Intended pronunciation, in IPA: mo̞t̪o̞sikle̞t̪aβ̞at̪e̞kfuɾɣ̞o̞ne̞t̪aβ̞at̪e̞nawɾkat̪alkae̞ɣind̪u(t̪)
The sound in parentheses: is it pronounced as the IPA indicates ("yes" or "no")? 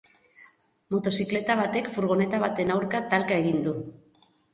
no